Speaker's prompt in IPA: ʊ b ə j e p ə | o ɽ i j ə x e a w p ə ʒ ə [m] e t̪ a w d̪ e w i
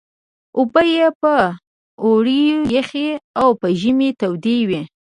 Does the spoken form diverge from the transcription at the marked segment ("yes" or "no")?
no